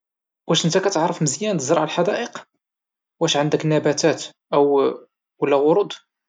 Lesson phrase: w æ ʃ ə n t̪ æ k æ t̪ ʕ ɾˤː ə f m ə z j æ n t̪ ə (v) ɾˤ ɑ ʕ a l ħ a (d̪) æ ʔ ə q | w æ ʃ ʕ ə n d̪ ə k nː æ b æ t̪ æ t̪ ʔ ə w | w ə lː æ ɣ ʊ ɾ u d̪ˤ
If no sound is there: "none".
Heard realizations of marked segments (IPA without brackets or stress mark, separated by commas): z, d̪